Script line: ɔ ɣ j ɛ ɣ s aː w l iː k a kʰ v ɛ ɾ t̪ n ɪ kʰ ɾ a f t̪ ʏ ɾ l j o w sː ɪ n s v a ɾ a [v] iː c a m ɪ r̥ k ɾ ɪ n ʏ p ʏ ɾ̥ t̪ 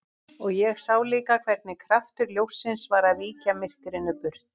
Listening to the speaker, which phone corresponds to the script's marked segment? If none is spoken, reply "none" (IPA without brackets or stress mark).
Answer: v